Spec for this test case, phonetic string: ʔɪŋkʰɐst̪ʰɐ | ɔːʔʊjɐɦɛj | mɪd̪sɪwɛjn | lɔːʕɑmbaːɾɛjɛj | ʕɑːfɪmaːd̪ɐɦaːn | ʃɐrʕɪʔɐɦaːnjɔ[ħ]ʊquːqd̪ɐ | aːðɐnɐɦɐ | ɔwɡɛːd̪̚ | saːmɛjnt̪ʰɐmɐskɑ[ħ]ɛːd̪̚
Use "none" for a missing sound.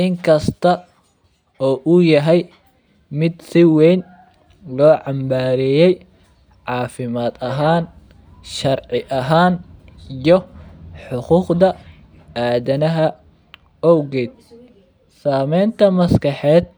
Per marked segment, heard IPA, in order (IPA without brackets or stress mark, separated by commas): ħ, ħ